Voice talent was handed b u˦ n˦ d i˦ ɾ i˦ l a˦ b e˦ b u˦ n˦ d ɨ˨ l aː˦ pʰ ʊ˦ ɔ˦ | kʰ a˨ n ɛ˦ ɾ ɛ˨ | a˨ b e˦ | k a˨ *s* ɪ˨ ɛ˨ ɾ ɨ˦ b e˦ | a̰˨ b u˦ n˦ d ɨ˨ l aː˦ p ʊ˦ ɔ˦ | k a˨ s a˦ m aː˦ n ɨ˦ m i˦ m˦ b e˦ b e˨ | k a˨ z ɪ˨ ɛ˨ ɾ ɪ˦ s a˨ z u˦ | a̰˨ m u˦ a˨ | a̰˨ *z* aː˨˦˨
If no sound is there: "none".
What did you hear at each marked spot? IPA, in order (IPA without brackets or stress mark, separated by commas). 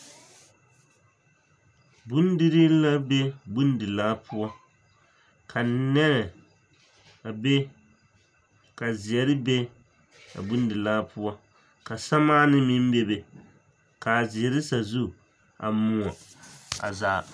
z, z